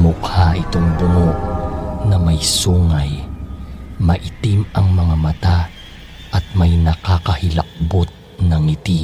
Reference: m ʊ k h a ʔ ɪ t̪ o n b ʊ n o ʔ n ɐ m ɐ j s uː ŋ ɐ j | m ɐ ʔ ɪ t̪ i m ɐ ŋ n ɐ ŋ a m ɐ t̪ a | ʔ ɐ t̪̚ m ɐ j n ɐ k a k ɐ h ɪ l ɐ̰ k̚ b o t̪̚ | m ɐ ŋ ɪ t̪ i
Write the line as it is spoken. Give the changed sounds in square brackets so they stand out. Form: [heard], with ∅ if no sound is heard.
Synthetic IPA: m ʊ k h a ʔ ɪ t̪ o [ŋ] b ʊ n o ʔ n ɐ m ɐ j s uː ŋ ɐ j | m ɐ ʔ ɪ t̪ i m ɐ ŋ [m] ɐ ŋ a m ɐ t̪ a | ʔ ɐ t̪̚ m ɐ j n ɐ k a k ɐ h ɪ l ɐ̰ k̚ b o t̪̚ | [n] ɐ ŋ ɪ t̪ i